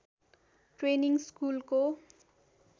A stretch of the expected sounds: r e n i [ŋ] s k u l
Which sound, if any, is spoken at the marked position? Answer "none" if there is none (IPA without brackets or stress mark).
ŋ